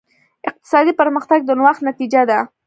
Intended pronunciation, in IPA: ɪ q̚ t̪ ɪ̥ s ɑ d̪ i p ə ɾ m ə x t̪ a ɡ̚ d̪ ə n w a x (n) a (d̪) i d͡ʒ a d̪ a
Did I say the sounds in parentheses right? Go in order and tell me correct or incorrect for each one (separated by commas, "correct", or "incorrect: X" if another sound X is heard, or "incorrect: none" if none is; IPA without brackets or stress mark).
correct, incorrect: t̪